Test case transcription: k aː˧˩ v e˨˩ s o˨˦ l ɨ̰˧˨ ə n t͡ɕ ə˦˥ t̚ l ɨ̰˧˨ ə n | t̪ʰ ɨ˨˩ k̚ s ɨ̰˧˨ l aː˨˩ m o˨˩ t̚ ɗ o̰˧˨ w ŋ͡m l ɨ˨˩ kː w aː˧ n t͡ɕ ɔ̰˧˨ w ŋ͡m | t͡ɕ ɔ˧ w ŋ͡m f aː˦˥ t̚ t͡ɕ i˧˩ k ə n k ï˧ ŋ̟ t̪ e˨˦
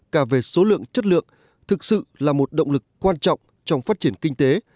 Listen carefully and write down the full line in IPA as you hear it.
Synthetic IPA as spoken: k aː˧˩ v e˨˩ s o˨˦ l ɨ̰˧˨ ə ŋ t͡ɕ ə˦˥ t̚ l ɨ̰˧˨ ə ŋ | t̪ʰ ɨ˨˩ k̚ s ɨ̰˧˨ l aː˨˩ m o˨˩ t̚ ɗ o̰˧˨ w ŋ͡m l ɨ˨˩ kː w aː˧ n t͡ɕ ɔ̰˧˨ w ŋ͡m | t͡ɕ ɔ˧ w ŋ͡m f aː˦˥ t̚ t͡ɕ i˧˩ ə n k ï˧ ŋ̟ t̪ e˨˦

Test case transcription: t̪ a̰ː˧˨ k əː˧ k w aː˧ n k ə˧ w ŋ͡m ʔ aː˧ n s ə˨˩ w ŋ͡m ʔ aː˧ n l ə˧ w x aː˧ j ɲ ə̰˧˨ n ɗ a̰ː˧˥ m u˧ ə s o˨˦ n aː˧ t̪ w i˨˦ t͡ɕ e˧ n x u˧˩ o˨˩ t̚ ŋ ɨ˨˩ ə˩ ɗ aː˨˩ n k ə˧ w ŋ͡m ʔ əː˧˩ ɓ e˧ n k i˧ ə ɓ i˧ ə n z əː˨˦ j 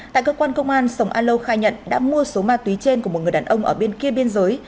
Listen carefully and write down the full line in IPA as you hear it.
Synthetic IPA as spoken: t̪ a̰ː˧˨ k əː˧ k w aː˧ n k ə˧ w ŋ͡m ʔ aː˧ n s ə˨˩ w ŋ͡m ʔ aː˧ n l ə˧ w x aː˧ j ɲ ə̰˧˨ n ɗ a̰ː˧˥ m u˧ ə s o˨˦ m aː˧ t̪ w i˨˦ t͡ɕ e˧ n k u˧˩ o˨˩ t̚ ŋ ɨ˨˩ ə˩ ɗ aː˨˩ n ʔ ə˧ w ŋ͡m ʔ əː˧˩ ɓ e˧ n k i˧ ə ɓ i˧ ə n z əː˨˦ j

